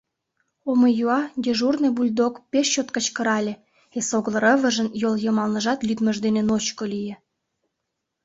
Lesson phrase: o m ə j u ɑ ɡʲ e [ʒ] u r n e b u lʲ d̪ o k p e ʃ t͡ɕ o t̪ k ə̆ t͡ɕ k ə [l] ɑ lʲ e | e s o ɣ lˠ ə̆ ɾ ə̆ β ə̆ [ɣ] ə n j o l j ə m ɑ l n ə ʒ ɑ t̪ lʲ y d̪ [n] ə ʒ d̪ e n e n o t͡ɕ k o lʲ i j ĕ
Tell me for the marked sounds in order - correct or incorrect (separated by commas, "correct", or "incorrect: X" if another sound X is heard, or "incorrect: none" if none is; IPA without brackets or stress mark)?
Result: correct, incorrect: ɾ, incorrect: ʒ, incorrect: m